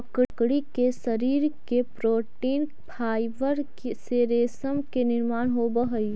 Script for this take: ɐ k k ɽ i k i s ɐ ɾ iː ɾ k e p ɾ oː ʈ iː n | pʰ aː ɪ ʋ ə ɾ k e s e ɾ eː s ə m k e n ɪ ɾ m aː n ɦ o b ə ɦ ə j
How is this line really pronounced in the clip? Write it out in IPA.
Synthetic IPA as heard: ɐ k k ɽ i k e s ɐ ɾ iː ɾ k e p ɾ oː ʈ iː n | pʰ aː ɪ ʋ ə ɾ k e s e ɾ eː s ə m k e n ɪ ɾ m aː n ɦ o b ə ɦ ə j